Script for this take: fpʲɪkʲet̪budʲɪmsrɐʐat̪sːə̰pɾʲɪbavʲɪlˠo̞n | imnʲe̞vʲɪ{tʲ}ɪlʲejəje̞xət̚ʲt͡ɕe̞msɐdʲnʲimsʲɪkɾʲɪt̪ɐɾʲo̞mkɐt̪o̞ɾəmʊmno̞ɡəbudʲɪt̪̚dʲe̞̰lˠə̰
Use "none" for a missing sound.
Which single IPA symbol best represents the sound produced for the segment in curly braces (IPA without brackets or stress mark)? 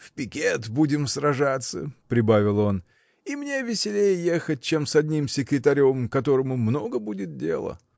sʲ